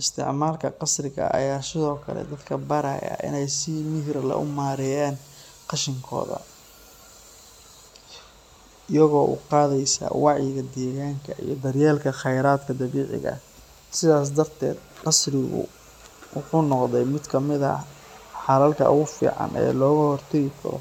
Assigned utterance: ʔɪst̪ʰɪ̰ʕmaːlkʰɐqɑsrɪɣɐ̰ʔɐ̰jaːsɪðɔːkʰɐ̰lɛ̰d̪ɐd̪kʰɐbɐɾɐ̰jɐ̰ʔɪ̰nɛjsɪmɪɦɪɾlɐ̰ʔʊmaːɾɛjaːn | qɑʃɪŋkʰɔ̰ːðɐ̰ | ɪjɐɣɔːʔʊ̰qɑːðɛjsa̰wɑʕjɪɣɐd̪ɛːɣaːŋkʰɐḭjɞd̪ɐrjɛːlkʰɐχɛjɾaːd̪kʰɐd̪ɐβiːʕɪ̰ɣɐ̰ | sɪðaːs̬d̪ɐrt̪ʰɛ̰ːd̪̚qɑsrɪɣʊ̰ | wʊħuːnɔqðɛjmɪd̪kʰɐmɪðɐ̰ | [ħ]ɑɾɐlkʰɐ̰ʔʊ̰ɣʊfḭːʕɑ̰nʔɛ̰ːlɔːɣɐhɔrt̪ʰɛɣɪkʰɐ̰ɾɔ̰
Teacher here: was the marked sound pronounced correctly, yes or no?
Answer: yes